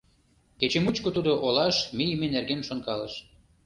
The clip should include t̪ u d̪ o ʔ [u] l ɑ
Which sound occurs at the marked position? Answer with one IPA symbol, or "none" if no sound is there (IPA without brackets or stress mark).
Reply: o